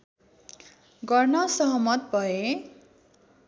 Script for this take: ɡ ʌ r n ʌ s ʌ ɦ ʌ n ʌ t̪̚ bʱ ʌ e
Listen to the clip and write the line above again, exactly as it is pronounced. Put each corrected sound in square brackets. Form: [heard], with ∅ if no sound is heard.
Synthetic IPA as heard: ɡ ʌ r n ʌ s ʌ ɦ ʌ [m] ʌ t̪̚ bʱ ʌ e